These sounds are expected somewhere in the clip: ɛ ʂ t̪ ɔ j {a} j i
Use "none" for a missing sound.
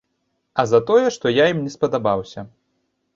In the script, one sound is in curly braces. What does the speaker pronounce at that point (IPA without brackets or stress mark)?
a